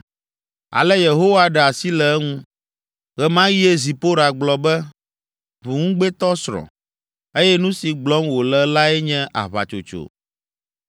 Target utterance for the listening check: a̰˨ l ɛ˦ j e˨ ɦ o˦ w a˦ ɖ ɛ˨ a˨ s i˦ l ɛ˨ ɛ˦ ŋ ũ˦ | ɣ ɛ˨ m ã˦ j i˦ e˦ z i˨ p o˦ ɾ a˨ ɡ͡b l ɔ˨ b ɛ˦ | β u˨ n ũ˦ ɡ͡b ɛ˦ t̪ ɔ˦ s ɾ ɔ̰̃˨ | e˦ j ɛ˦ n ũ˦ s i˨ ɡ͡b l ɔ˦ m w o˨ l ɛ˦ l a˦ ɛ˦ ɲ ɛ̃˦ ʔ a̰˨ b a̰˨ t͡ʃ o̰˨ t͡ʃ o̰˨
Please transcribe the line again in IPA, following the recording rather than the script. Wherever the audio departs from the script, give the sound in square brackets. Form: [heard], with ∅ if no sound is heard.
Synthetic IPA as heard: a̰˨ l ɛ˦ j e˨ ɦ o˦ w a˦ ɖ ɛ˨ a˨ s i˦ l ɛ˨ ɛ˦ ŋ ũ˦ | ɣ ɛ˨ m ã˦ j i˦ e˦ z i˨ p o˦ ɾ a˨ ɡ͡b l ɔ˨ b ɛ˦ | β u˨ [ŋ] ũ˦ ɡ͡b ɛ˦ t̪ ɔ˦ s ɾ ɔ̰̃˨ | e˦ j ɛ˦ n ũ˦ s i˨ ɡ͡b l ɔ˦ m w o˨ l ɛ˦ l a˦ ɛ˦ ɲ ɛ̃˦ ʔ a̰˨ [β] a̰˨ t͡ʃ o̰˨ t͡ʃ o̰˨